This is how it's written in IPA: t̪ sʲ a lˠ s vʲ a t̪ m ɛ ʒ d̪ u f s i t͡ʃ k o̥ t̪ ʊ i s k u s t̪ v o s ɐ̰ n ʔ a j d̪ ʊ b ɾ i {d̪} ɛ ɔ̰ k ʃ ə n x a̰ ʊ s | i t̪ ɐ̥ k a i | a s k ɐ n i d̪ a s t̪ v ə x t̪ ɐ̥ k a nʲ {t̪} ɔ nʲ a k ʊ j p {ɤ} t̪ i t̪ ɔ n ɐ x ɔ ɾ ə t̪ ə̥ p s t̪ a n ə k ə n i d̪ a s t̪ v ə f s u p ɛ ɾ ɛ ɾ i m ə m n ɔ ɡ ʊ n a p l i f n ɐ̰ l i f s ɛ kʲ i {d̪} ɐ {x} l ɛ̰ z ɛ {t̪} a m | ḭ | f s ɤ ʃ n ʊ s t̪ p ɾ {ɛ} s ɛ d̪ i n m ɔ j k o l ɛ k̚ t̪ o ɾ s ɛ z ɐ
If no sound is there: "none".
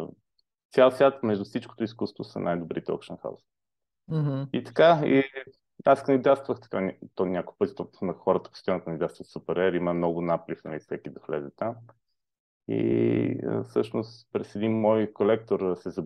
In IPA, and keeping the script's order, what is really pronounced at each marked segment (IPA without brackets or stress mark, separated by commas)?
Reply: t̪, t̪, ɤ, d̪, x, t̪, ɛ